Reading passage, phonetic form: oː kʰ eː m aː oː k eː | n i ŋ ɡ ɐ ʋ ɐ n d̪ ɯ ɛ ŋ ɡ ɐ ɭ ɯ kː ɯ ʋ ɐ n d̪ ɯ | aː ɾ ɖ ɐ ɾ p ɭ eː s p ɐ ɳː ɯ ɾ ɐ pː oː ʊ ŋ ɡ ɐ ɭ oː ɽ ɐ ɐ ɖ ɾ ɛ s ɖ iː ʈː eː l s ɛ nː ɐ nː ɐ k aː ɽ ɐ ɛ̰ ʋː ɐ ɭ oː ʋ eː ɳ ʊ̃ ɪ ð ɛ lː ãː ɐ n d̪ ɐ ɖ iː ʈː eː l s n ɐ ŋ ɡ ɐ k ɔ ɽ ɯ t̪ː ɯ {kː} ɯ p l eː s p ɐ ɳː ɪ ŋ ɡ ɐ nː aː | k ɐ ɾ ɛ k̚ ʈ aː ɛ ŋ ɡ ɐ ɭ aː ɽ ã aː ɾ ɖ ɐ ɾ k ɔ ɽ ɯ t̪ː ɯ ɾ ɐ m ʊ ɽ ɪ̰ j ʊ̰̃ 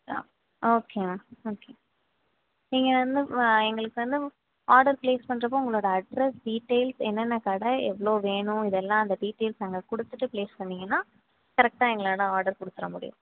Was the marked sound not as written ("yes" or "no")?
yes